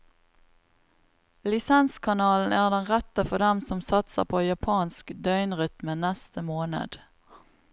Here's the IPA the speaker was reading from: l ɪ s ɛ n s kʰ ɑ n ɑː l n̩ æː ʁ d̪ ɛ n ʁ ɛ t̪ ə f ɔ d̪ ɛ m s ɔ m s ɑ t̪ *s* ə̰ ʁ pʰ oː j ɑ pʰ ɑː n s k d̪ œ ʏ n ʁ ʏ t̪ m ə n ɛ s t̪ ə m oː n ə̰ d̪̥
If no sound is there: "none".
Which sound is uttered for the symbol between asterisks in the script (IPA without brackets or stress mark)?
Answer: s